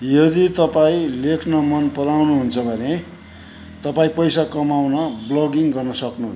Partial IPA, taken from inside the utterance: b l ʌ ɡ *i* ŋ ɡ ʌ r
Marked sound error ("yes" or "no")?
no